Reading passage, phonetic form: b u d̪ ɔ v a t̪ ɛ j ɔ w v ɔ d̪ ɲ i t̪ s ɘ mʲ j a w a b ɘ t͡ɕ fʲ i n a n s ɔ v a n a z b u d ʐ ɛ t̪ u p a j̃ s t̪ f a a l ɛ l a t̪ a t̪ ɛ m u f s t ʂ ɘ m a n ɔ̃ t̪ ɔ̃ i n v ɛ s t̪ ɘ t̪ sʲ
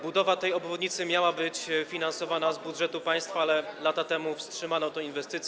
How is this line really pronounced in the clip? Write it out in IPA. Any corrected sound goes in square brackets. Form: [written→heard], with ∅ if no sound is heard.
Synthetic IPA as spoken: b u d̪ ɔ v a t̪ ɛ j ɔ [w→b] v ɔ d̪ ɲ i t̪ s ɘ mʲ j a w a b ɘ t͡ɕ fʲ i n a n s ɔ v a n a z b u d ʐ ɛ t̪ u p a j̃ s t̪ f a a l ɛ l a t̪ a t̪ ɛ m u f s t ʂ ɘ m a n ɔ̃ t̪ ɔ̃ i n v ɛ s t̪ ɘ t̪ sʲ